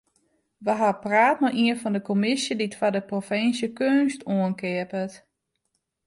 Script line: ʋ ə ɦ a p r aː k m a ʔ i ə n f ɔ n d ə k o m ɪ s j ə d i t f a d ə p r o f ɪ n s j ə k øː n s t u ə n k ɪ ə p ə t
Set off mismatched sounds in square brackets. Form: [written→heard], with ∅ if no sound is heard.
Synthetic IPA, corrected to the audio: ʋ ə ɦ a p r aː [k→t] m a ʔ i ə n f ɔ n d ə k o m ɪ s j ə d i t f a d ə p r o f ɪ n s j ə k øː n s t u ə n k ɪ ə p ə t